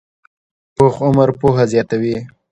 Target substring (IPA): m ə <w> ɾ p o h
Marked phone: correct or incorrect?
incorrect